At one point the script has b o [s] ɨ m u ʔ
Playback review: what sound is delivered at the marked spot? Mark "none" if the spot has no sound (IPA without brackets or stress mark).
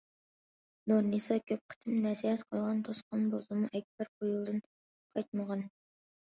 z